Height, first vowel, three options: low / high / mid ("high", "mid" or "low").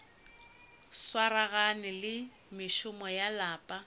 low